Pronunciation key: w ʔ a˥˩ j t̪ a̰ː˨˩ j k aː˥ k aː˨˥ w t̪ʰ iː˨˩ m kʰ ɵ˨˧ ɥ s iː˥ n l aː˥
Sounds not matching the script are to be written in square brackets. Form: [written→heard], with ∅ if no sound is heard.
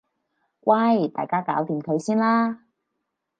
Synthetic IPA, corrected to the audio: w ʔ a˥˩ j t̪ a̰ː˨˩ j k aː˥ k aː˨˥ w [t̪ʰ→t̪] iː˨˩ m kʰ ɵ˨˧ ɥ s iː˥ n l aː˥